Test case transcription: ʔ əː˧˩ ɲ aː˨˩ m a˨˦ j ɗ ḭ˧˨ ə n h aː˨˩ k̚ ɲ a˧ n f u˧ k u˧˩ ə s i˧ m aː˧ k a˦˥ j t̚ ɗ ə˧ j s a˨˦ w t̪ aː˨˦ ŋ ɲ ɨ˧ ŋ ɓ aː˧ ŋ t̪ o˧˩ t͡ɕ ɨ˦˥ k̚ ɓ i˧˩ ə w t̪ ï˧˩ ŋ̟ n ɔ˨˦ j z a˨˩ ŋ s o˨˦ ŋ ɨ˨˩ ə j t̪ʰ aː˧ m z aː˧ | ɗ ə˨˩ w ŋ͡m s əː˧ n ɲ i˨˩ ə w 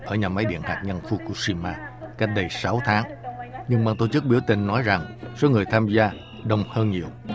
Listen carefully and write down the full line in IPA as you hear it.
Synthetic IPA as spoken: ʔ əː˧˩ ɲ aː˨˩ m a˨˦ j ɗ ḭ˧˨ ə n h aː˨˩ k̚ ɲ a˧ n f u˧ k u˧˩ ə s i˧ m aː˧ k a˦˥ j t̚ ɗ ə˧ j s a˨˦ w t̪ʰ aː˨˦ ŋ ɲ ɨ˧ ŋ ɓ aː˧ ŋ t̪ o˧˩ t͡ɕ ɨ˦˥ k̚ ɓ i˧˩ ə w t̪ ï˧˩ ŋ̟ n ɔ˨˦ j z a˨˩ ŋ s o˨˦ ŋ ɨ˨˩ ə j t̪ʰ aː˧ m z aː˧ | ɗ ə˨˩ w ŋ͡m h əː˧ n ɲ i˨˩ ə w

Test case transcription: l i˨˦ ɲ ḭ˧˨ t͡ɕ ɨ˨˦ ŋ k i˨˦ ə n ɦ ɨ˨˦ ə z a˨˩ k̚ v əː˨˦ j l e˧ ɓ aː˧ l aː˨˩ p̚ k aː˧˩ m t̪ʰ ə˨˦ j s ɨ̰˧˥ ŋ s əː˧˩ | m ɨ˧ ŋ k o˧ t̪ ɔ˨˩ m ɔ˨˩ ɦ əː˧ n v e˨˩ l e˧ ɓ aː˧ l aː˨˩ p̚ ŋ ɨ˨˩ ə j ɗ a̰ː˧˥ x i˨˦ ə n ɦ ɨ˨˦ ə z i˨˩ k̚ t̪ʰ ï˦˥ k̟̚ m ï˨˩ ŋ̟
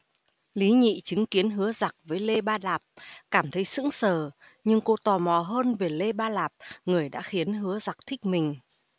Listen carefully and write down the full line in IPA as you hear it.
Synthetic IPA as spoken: l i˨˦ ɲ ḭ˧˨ t͡ɕ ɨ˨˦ ŋ k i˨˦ ə n ɦ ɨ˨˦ ə z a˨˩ k̚ v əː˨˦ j l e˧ ɓ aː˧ l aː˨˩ p̚ k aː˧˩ m t̪ʰ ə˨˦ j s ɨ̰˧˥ ŋ s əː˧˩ | ɲ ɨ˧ ŋ k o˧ t̪ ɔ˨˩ m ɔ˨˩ ɦ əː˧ n v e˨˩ l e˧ ɓ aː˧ l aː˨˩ p̚ ŋ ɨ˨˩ ə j ɗ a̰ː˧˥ x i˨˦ ə n ɦ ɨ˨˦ ə z a˨˩ k̚ t̪ʰ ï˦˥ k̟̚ m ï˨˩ ŋ̟

